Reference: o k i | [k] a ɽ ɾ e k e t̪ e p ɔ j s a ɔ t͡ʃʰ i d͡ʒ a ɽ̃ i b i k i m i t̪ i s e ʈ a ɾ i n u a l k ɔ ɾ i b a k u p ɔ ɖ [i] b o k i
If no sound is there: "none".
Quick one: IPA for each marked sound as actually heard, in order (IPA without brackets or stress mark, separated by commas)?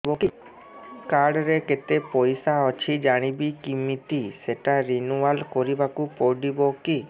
k, i